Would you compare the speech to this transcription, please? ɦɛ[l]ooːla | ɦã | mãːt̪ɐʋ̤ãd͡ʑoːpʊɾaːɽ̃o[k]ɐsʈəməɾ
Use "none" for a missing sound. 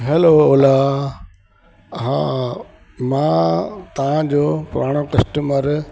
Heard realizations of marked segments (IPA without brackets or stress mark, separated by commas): l, k